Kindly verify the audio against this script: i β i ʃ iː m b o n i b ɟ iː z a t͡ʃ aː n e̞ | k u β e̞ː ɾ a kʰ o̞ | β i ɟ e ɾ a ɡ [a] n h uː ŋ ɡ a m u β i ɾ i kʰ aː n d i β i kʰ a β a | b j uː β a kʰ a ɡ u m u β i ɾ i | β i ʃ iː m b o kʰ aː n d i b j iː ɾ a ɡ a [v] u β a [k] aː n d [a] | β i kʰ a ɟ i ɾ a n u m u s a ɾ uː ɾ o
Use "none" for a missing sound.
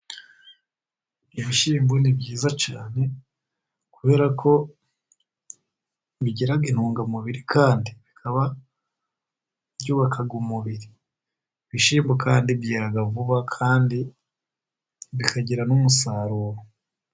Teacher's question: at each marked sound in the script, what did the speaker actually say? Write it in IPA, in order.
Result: i, v, kʰ, i

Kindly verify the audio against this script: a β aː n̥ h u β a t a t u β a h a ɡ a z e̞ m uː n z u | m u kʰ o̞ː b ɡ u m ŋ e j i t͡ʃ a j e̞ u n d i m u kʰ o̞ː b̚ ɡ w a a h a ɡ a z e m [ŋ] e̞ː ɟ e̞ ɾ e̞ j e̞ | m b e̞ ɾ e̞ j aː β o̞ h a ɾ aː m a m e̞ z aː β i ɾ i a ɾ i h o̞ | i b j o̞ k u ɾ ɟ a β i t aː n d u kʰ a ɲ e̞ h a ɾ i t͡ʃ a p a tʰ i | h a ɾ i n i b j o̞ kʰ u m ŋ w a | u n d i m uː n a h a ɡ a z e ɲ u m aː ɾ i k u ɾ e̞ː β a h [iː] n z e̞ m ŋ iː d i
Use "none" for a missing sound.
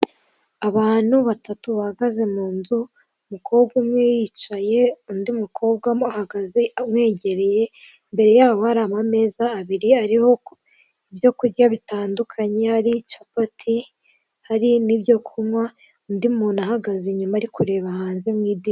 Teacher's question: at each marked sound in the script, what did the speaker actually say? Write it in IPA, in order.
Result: ŋ, aː

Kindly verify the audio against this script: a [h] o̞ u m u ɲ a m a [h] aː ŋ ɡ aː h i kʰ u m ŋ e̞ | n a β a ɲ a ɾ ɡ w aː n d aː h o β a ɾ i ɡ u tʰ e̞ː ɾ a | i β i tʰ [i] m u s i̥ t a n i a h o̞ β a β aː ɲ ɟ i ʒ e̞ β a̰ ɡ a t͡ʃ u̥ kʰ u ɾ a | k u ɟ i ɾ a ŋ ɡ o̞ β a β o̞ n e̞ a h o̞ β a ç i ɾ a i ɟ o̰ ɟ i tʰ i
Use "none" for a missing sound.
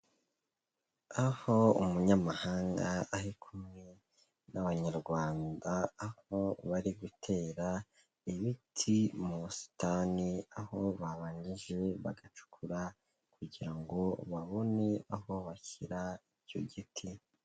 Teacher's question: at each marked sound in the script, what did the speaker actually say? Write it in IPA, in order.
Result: h, h, i

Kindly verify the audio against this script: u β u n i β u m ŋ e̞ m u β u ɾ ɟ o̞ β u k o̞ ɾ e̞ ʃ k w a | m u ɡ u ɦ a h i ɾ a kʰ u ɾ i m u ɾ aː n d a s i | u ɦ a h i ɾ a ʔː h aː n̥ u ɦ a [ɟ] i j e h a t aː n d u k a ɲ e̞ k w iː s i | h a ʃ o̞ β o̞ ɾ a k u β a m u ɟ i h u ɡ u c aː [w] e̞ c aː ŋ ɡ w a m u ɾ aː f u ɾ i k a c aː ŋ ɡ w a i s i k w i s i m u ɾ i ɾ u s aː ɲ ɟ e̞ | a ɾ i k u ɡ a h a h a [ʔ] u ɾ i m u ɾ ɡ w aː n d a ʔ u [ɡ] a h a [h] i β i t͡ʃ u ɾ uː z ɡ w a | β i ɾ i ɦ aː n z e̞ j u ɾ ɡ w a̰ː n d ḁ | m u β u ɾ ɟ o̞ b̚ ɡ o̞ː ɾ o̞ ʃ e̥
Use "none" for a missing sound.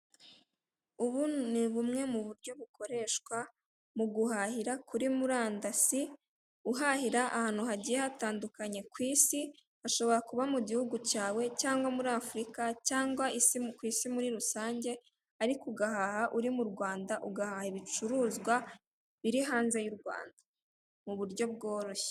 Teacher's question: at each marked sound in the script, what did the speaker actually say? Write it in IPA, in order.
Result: ɟ, w, ʔ, ɡ, h

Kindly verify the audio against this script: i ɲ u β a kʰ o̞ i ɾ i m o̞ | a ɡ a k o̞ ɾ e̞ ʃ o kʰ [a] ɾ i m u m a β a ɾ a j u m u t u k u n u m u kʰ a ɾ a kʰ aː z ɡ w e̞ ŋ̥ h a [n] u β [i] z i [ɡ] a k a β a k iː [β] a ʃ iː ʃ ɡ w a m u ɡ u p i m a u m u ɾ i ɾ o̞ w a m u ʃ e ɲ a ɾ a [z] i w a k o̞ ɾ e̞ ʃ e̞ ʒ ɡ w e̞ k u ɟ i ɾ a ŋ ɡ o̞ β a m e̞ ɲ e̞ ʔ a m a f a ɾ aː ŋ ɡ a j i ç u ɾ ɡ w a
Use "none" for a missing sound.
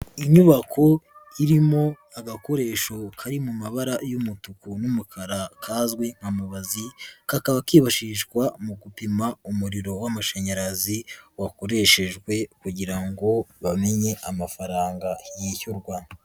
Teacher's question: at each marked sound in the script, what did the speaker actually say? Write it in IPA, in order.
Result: a, m, a, k, β, z

